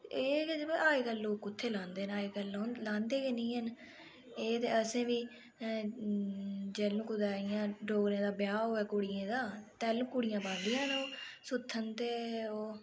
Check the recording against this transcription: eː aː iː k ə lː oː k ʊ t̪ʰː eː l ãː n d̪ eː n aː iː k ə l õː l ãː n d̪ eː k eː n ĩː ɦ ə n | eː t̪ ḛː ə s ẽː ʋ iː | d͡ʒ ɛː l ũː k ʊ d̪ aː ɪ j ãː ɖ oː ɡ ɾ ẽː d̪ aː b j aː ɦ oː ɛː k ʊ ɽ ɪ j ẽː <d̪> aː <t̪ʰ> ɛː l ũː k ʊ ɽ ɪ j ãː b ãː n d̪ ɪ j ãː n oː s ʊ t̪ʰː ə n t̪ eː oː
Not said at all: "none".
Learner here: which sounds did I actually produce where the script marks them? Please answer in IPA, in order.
d̪, t̪

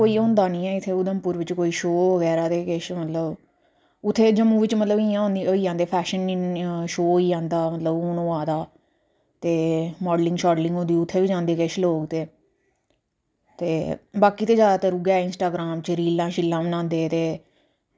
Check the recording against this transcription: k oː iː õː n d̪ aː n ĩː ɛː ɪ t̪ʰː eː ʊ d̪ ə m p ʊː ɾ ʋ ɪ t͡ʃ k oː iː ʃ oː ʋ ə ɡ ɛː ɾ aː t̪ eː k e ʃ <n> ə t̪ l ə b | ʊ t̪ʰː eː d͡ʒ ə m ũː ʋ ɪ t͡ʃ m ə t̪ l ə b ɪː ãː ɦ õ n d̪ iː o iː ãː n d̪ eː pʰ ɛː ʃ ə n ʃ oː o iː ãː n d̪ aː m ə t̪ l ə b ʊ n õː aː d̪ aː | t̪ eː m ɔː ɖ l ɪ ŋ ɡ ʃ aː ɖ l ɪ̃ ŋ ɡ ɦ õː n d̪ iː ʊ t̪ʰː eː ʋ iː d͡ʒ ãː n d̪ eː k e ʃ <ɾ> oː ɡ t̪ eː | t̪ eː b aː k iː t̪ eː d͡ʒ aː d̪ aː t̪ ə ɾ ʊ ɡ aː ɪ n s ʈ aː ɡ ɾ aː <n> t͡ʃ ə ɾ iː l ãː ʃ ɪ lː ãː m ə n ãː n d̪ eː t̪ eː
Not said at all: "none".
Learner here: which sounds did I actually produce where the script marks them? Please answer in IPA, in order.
m, l, m

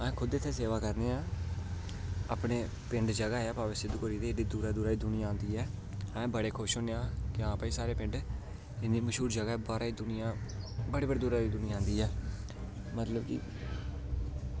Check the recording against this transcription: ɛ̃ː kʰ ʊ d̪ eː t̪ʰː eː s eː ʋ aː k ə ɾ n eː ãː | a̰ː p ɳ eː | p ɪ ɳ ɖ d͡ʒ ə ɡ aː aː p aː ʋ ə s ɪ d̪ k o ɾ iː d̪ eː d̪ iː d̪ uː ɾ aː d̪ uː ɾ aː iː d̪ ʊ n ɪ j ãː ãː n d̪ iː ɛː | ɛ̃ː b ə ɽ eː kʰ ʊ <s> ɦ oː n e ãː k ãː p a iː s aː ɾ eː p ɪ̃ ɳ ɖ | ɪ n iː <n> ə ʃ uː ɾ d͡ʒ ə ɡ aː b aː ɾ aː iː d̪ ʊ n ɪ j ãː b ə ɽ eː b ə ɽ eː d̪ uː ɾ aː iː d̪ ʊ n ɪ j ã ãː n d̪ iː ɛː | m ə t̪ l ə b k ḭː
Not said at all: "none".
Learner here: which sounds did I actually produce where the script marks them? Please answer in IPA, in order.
ʃ, m

